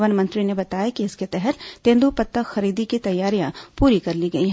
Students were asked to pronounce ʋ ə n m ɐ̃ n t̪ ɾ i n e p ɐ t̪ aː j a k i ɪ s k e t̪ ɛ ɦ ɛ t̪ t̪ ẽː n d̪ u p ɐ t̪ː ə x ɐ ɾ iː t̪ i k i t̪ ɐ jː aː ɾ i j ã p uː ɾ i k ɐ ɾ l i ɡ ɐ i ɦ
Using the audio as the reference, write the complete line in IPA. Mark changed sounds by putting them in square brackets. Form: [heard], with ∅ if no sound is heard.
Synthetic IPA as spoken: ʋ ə n m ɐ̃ n t̪ ɾ i n e [b] ɐ t̪ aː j a k i ɪ s k e t̪ ɛ ɦ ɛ t̪ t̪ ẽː n d̪ u p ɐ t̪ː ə x ɐ ɾ iː [d̪] i k i t̪ ɐ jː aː ɾ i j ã p uː ɾ i k ɐ ɾ l i ɡ ɐ i ɦ